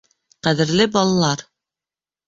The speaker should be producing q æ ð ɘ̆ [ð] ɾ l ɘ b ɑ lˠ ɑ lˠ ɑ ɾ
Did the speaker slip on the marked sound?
yes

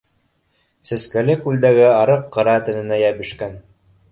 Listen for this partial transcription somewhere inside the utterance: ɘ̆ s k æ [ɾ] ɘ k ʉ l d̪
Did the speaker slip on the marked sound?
yes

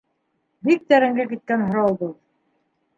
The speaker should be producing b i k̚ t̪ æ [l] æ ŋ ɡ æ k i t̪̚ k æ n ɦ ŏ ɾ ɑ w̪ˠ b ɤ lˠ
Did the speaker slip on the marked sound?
yes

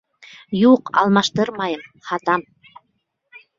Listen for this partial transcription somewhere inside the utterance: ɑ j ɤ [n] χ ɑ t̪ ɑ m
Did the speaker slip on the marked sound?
yes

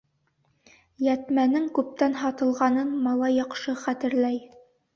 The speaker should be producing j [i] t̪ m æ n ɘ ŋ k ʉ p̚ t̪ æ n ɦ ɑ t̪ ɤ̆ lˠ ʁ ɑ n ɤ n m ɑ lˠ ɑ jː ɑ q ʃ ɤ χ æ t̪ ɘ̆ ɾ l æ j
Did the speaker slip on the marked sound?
yes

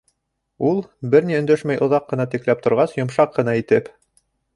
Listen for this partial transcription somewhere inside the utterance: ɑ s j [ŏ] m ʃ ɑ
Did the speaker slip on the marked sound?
no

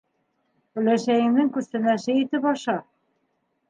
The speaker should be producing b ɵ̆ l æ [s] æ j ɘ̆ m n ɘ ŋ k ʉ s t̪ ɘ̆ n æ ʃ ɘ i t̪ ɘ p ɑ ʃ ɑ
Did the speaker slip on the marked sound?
yes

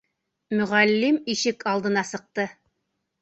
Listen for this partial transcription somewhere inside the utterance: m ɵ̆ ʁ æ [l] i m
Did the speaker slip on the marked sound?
yes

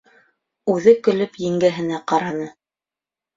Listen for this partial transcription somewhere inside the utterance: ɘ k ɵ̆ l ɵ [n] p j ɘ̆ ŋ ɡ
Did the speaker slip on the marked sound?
yes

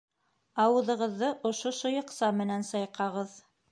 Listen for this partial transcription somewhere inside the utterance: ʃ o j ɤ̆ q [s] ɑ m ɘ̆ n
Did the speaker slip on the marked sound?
no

